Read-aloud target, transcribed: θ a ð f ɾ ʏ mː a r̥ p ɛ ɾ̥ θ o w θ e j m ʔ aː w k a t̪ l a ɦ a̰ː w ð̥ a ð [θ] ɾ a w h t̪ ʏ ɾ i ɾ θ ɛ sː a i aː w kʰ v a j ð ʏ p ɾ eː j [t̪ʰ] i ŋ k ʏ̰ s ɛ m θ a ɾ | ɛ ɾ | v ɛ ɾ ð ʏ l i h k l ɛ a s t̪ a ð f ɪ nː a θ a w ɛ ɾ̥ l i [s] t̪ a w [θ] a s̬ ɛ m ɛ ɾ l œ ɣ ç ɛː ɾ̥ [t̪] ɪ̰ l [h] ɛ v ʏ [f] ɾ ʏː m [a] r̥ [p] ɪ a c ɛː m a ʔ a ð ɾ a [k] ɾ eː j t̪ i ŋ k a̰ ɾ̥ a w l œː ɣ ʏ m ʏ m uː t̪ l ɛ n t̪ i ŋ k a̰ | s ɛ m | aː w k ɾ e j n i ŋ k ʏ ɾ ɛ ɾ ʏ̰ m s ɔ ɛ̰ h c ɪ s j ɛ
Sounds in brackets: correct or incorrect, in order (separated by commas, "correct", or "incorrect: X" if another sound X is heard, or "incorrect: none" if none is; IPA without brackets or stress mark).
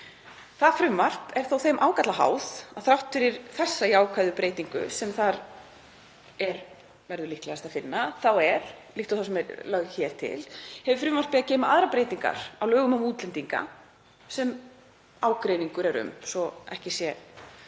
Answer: correct, incorrect: t̪, incorrect: h, correct, incorrect: t̪ʰ, correct, correct, correct, correct, incorrect: p